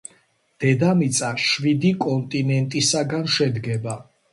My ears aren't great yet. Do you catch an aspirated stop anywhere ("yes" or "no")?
no